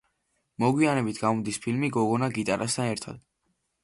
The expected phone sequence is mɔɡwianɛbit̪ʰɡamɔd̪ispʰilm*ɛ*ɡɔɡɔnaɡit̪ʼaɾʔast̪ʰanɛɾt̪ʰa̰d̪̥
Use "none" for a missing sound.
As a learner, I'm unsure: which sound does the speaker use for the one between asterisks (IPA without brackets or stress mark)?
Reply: i